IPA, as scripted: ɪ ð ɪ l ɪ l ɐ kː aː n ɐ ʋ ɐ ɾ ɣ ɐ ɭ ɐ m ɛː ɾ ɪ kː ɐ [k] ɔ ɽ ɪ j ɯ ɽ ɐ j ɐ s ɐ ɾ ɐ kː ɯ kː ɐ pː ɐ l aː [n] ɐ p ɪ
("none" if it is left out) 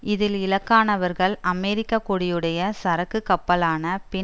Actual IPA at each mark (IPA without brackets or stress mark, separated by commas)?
k, n